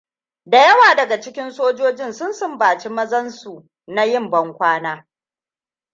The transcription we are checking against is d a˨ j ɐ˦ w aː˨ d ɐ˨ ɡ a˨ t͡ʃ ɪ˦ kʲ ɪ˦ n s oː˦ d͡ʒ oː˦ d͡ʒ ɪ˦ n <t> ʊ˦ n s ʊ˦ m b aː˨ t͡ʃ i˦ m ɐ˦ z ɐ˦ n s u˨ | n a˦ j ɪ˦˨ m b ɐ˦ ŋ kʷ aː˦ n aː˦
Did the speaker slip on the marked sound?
yes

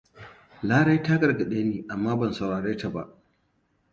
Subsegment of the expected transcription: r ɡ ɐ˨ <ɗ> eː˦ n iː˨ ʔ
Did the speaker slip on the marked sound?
no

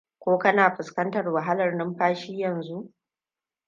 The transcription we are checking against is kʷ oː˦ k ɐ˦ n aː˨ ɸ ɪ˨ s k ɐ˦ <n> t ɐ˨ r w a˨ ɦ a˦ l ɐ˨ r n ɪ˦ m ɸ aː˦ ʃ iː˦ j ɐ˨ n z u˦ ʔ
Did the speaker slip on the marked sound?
no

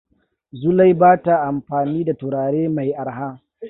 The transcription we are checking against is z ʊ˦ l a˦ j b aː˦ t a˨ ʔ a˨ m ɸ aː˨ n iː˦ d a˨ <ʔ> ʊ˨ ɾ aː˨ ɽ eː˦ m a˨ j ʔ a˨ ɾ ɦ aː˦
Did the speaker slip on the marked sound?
yes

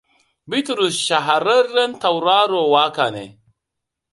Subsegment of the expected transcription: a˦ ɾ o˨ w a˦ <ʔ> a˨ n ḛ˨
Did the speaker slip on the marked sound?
yes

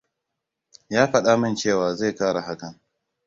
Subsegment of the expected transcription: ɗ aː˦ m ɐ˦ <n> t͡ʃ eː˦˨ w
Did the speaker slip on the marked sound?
no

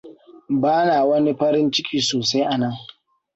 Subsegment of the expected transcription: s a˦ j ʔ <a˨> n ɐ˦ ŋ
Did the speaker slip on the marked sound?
no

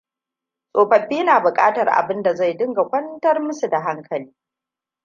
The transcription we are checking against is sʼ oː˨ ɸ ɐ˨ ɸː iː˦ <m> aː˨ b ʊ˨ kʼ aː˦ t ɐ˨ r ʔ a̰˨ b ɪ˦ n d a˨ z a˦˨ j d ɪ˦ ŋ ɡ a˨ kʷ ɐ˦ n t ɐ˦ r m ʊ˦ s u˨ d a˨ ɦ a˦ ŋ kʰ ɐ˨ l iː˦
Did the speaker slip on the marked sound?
yes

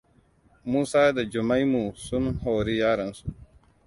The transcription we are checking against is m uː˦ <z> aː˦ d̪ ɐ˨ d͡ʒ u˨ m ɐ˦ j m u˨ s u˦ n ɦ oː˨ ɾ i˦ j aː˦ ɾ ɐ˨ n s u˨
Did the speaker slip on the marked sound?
yes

